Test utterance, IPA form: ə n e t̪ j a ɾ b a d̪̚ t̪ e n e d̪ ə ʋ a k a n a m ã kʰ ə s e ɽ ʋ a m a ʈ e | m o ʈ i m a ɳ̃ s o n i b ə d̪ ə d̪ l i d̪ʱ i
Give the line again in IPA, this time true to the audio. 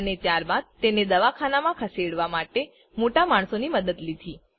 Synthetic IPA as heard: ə n e t̪ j a ɾ b a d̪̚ t̪ e n e d̪ ə ʋ a kʰ a n a m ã kʰ ə s e ɽ ʋ a m a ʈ e | m o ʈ a m a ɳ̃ s o n i m ə d̪ ə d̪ l i d̪ʱ i